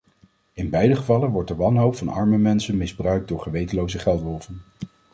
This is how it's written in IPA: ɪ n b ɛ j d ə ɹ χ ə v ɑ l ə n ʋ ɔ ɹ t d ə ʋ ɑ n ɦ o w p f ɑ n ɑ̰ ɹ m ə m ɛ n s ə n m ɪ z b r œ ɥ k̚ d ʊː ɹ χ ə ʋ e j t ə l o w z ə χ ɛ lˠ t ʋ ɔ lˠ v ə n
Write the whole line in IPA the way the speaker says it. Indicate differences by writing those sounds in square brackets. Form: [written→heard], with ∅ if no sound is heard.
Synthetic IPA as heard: ɪ n b ɛ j d ə [ɹ→∅] χ ə v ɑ l ə n ʋ ɔ ɹ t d ə ʋ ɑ n ɦ o w p f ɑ n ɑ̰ ɹ m ə m ɛ n s ə n m ɪ z b r œ ɥ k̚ d ʊː ɹ χ ə ʋ e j t ə l o w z ə χ ɛ lˠ t ʋ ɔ lˠ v ə n